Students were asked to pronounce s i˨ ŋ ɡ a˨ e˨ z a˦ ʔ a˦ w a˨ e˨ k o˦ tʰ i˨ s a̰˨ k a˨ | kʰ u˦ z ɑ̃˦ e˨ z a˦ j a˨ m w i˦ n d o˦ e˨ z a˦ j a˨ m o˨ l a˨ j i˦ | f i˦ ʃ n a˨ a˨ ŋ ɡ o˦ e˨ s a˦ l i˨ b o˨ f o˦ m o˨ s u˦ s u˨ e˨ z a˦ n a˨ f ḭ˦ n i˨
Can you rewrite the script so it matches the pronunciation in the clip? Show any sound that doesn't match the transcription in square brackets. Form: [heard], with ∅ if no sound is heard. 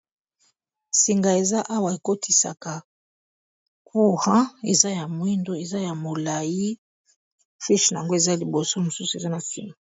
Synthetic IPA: s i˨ ŋ ɡ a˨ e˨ z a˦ ʔ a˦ w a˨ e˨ k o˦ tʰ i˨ s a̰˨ k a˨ | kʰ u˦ [ʁ] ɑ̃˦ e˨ z a˦ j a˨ m w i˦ n d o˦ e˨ z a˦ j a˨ m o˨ l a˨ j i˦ | f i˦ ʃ n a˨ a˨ ŋ ɡ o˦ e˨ [z] a˦ l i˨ b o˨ [s] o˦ m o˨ s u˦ s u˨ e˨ z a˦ n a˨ f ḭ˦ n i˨